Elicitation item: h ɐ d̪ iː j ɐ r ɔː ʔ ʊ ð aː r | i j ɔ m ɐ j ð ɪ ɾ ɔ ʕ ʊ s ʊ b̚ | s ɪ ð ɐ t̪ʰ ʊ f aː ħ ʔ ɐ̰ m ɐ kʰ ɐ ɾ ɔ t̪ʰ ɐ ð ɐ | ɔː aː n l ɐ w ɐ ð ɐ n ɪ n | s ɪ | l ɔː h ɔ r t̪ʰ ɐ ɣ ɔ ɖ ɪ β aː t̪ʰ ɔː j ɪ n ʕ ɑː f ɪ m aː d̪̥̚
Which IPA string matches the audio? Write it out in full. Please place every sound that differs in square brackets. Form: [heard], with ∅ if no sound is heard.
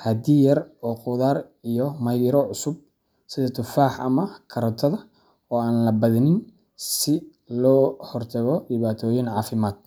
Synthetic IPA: h ɐ d̪ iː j ɐ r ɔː [q] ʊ ð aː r | i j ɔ m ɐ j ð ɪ ɾ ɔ ʕ ʊ s ʊ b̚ | s ɪ ð ɐ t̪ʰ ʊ f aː ħ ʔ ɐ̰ m ɐ kʰ ɐ ɾ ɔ t̪ʰ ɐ ð ɐ | ɔː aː n l ɐ [b] ɐ ð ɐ n ɪ n | s ɪ | l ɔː h ɔ r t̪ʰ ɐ ɣ ɔ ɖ ɪ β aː t̪ʰ ɔː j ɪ n ʕ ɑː f ɪ m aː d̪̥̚